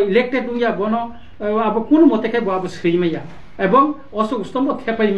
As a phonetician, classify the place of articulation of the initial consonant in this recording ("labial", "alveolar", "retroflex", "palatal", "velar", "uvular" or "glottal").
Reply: alveolar